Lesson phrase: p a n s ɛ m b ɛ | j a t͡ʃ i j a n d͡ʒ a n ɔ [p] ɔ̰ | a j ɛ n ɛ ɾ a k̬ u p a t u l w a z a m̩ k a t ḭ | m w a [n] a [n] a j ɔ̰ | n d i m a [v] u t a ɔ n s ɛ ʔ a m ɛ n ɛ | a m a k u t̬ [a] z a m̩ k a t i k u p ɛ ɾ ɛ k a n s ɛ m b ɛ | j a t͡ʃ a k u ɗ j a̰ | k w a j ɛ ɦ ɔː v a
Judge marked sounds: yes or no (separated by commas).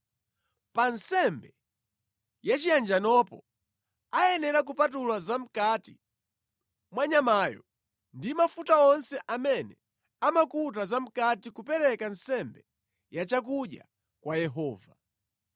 yes, no, no, no, yes